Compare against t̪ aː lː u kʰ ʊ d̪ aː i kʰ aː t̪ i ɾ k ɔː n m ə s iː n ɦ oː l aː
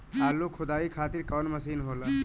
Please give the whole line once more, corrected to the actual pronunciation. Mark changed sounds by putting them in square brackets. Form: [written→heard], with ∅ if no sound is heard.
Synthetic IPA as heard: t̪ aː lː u kʰ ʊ d̪ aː i kʰ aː t̪ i ɾ k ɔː n m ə s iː n ɦ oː l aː